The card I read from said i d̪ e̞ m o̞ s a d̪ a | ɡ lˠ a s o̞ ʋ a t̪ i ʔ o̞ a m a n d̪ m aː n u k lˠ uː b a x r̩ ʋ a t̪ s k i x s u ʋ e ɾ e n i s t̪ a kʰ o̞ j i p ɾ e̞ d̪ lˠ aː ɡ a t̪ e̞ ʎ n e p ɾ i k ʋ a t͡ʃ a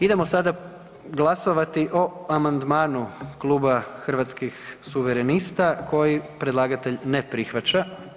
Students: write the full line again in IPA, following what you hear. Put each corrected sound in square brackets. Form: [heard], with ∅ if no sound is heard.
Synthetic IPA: i d̪ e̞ m o̞ s a d̪ a | ɡ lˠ a s o̞ ʋ a t̪ i ʔ o̞ a m a n d̪ m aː n u k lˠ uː b a x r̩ ʋ a t̪ s k i x s u ʋ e ɾ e n i s t̪ a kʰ o̞ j i p ɾ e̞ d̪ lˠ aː ɡ a t̪ e̞ ʎ n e p ɾ i [x] ʋ a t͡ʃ a